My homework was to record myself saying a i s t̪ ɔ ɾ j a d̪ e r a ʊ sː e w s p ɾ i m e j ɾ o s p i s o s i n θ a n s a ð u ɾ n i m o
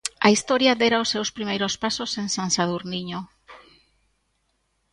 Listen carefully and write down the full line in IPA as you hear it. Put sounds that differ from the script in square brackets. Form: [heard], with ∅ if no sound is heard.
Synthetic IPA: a i s t̪ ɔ ɾ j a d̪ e [ɾ] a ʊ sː e w s p ɾ i m e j ɾ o s p [a] s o s [e] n [s] a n s a ð u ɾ n i [ɲ] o